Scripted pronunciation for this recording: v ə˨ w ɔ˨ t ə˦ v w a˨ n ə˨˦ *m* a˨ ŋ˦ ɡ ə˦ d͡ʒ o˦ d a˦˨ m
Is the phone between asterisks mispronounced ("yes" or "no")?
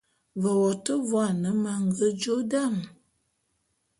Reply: no